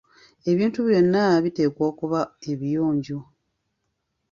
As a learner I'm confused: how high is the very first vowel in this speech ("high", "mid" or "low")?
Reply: mid